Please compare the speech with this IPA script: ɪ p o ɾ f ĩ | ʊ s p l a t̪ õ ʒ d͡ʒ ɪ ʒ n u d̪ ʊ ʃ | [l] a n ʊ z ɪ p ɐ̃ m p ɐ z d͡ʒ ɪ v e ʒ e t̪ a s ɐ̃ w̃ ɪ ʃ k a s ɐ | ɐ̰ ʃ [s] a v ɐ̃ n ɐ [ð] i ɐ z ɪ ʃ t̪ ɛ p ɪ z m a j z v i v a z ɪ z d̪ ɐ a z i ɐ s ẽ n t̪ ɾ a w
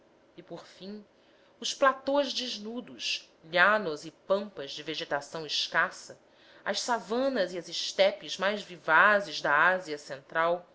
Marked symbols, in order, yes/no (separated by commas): no, yes, no